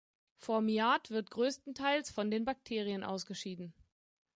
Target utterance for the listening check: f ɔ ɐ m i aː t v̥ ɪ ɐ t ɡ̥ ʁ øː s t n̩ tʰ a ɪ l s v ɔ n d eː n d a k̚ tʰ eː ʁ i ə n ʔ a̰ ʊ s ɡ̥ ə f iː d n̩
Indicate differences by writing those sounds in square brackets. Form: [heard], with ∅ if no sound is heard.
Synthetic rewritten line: f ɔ ɐ m i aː t v̥ ɪ ɐ t ɡ̥ ʁ øː s t n̩ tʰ a ɪ l s [f] ɔ n d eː n [b] a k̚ tʰ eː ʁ i ə n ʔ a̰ ʊ s ɡ̥ ə [ʃ] iː d n̩

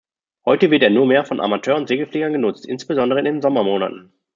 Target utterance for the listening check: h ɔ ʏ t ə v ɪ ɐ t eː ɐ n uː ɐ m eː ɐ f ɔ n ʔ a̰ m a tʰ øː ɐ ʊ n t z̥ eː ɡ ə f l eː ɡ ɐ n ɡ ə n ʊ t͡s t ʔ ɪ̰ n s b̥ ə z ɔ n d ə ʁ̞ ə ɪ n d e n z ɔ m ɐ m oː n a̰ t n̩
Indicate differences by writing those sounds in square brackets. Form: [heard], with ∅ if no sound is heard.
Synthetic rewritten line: h ɔ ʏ t ə v ɪ ɐ t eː ɐ n uː ɐ m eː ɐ f ɔ n ʔ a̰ m a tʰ øː ɐ ʊ n t z̥ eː ɡ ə f l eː ɡ ɐ n ɡ ə n ʊ t͡s t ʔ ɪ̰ n s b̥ ə z ɔ n d ə ʁ̞ ə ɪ n d e n z ɔ m ɐ m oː n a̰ t n̩

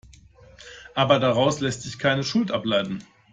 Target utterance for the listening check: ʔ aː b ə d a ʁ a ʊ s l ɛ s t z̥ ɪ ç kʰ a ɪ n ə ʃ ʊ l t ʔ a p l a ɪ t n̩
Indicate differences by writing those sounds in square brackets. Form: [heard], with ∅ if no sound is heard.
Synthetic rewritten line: ʔ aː b [ɐ] d a ʁ a ʊ s l ɛ s t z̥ ɪ ç kʰ a ɪ n ə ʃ ʊ l t ʔ a p l a ɪ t n̩

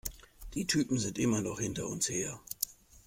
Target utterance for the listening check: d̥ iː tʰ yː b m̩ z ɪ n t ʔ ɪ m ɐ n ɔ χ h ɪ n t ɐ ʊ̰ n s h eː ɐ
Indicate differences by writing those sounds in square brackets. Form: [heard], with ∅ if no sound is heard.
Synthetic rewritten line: d̥ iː tʰ yː [p] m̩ z ɪ n t ʔ ɪ m ɐ n ɔ χ h ɪ n t ɐ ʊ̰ n s h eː ɐ

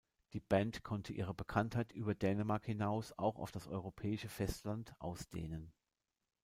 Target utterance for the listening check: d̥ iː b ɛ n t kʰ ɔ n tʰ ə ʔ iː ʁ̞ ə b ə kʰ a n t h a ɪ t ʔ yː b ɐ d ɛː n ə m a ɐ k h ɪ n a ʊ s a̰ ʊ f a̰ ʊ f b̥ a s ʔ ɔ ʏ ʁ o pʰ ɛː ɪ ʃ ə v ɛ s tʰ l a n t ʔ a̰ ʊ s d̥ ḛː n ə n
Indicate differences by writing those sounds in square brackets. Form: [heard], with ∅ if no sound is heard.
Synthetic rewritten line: d̥ iː b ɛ n t kʰ ɔ n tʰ ə ʔ iː ʁ̞ ə b ə kʰ a n t h a ɪ t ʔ yː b ɐ d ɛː n ə m a ɐ k h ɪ n a ʊ s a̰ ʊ [x] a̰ ʊ f [d̥] a s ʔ ɔ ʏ ʁ o pʰ ɛː ɪ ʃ ə [f] ɛ s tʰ l a n t ʔ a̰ ʊ s d̥ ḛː n ə n

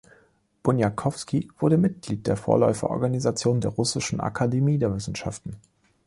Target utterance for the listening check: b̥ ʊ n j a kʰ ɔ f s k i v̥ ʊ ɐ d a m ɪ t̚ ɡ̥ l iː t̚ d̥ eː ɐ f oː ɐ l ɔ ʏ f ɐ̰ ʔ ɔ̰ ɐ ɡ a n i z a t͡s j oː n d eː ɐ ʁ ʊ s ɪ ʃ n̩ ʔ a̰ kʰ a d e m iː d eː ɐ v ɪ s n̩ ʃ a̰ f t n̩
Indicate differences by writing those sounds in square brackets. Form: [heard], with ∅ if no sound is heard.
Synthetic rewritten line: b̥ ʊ n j a kʰ ɔ f s k i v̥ ʊ ɐ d [ə] m ɪ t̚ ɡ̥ l iː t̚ d̥ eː ɐ f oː ɐ l ɔ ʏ f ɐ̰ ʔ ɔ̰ ɐ ɡ a n i z a t͡s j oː n d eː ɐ ʁ ʊ s ɪ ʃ n̩ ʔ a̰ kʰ a d e m iː d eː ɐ v ɪ s n̩ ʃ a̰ f t n̩

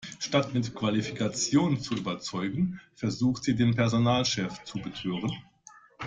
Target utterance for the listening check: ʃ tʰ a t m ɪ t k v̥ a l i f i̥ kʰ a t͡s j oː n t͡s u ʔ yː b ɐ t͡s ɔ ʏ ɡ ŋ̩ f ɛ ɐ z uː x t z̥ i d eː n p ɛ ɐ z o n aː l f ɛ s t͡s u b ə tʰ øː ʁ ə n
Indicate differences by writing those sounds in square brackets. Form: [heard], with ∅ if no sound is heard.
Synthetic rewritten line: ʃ [t] a t m ɪ t k v̥ a l i f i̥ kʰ a t͡s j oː n t͡s u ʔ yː b ɐ t͡s ɔ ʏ ɡ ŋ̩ f ɛ ɐ z uː x t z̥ [iː] d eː n p ɛ ɐ z o n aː l [ʃ] ɛ [f] t͡s u b ə tʰ øː ʁ ə n

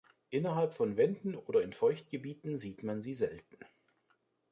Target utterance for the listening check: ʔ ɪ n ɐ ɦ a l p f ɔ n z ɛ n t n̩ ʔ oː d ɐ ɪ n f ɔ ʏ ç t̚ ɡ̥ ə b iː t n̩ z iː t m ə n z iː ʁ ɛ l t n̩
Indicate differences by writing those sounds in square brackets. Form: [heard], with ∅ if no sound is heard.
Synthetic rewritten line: ʔ ɪ n ɐ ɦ a l p f ɔ n [v] ɛ n [d] n̩ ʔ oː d ɐ ɪ n f ɔ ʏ ç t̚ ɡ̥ ə b iː t n̩ z iː t m [a] n z iː [z] ɛ l t n̩

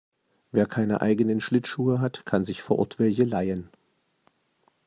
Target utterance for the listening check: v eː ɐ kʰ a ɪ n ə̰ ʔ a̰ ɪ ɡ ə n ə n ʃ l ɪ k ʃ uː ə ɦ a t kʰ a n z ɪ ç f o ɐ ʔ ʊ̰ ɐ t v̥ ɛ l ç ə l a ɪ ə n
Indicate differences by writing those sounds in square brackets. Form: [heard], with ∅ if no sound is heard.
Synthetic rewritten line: v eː ɐ kʰ a ɪ n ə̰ ʔ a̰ ɪ ɡ ə n ə n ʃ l ɪ [t] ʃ uː ə ɦ a t kʰ a n z ɪ ç f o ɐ ʔ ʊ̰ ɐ t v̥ ɛ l ç ə l a ɪ ə n

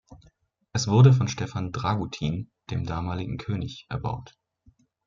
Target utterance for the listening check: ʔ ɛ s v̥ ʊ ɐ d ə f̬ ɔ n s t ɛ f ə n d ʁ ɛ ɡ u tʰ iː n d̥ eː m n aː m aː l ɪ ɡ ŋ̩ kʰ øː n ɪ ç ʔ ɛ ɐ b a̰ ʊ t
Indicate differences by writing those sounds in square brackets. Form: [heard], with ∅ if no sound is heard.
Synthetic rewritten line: ʔ ɛ s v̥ ʊ ɐ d ə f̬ ɔ n [ʃ] t ɛ f [a] n d ʁ [a] ɡ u tʰ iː n d̥ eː m [d] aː m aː l ɪ ɡ ŋ̩ kʰ øː n ɪ ç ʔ ɛ ɐ b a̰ ʊ t

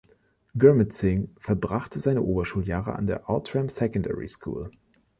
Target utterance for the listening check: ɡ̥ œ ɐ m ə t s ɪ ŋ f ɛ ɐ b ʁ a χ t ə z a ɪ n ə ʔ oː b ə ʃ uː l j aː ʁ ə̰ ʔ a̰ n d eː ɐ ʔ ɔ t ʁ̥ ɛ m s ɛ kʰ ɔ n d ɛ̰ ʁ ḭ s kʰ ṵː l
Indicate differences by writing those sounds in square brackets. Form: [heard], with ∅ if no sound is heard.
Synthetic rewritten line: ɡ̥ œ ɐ m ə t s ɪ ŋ f ɛ ɐ b ʁ a χ t ə z a ɪ n ə ʔ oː b [ɐ] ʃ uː l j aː ʁ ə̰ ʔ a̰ n d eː ɐ ʔ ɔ t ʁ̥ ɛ m s ɛ [k] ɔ n d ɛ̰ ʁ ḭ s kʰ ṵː l

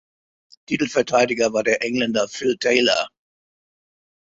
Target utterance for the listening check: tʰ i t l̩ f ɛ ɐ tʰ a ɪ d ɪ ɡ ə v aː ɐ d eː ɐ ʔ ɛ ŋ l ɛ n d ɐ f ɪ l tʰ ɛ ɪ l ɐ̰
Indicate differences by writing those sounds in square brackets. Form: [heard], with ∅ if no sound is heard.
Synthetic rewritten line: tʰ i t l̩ f ɛ ɐ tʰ a ɪ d ɪ ɡ [ɐ] v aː ɐ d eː ɐ ʔ ɛ ŋ l ɛ n d ɐ f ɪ l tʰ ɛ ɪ l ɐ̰

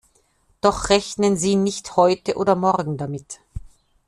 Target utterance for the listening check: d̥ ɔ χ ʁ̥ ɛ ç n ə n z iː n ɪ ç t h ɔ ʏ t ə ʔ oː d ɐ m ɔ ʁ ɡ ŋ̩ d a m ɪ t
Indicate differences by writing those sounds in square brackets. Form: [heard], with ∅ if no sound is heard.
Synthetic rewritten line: d̥ ɔ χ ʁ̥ ɛ ç n ə n z iː n ɪ ç t h ɔ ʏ t ə ʔ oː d ɐ m ɔ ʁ ɡ ŋ̩ d a m ɪ t

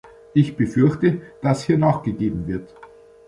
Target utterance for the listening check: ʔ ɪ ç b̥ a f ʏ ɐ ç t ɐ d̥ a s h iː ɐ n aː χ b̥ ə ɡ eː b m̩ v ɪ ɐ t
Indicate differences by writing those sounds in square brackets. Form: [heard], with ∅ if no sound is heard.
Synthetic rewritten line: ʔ ɪ ç b̥ [ə] f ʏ ɐ ç t [ə] d̥ a s h iː ɐ n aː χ [ɡ̥] ə ɡ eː b m̩ v ɪ ɐ t

